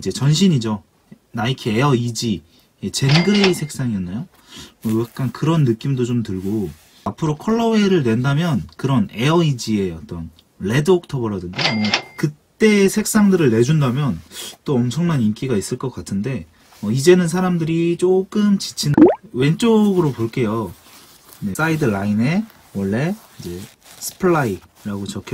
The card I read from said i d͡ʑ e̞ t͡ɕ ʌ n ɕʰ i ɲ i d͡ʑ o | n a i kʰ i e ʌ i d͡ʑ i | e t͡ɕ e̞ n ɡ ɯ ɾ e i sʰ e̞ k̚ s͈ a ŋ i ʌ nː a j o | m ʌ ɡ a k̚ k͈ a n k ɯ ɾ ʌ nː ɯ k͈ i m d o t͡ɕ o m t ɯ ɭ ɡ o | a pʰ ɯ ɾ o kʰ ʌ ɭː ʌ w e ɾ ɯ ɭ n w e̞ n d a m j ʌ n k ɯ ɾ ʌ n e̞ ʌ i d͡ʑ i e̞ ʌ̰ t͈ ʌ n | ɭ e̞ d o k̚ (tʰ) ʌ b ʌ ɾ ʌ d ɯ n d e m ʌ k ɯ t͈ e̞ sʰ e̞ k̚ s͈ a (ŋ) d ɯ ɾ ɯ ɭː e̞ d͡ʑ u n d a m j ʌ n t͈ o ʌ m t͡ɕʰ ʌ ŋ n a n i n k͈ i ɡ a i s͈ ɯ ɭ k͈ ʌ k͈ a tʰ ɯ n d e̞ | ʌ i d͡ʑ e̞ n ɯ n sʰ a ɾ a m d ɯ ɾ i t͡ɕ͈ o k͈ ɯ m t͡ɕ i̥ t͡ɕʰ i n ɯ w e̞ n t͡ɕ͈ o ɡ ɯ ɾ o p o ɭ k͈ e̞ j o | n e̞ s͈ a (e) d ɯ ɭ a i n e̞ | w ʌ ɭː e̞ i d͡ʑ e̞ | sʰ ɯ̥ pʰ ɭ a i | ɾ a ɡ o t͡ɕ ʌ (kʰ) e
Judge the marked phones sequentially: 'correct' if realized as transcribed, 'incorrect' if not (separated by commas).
correct, correct, incorrect, correct